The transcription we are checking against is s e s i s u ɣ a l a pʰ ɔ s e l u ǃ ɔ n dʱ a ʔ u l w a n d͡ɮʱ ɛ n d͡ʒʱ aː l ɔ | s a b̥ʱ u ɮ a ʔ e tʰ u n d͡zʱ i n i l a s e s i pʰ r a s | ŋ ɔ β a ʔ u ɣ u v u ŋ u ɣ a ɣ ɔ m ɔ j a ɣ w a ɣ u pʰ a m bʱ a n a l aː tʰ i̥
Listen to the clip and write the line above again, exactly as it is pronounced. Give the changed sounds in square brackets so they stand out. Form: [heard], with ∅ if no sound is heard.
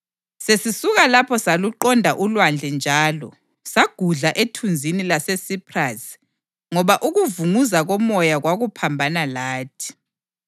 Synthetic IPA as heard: s e s i s u ɣ a l a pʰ ɔ s [a] l u ǃ ɔ n dʱ a ʔ u l w a n d͡ɮʱ ɛ n d͡ʒʱ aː l ɔ | s a [ɡ̥ʱ] u ɮ a ʔ e tʰ u n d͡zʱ i n i l a s e s i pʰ r a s | ŋ ɔ β a ʔ u ɣ u v u ŋ u [z] a ɣ ɔ m ɔ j a ɣ w a ɣ u pʰ a m bʱ a n a l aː tʰ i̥